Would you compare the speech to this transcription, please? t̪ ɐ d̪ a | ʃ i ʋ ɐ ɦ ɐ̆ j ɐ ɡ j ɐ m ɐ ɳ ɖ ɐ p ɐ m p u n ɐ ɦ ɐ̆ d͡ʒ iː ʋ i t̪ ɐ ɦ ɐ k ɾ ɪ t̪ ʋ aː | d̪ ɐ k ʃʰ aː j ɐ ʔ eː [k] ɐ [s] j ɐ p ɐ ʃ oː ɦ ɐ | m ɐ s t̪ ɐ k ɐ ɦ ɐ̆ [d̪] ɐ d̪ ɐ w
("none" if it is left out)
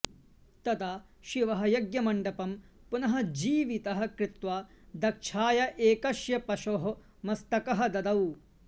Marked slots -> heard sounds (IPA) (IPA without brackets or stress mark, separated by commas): k, ʃ, d̪